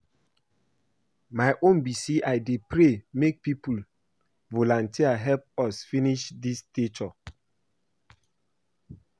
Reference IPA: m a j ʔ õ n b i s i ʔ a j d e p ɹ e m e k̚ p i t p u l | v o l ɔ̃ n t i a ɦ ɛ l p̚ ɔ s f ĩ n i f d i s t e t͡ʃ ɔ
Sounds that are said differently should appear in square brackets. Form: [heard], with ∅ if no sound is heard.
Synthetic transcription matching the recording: m a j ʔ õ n b i s i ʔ a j d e p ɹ e m e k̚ p i [∅] p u l | v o l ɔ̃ n t i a ɦ ɛ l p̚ ɔ s f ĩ n i [ʃ] d i s t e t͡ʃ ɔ